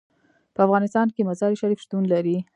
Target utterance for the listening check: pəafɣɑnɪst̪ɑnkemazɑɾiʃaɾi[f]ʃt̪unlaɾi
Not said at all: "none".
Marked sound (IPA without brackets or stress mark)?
f